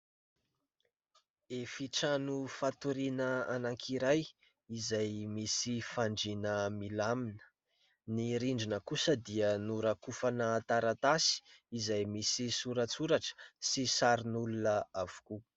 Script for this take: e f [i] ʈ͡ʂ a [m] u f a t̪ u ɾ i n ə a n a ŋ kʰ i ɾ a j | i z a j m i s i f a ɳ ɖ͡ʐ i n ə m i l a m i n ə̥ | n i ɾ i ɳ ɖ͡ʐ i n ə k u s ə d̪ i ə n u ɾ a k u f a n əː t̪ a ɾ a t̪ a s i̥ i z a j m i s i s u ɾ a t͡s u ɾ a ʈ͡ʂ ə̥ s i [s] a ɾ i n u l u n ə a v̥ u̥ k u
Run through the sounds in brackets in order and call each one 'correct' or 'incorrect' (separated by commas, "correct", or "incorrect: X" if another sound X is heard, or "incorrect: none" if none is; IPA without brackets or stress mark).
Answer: correct, incorrect: n, correct